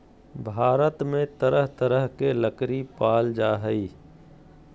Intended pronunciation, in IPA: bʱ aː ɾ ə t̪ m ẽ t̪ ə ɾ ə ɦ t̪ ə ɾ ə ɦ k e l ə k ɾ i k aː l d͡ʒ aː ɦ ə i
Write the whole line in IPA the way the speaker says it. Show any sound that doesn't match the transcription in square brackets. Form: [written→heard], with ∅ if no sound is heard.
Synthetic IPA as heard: bʱ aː ɾ ə t̪ m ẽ t̪ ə ɾ ə ɦ t̪ ə ɾ ə ɦ k e l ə k ɾ i [k→p] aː l d͡ʒ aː ɦ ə i